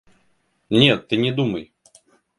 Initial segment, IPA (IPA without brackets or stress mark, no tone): nʲ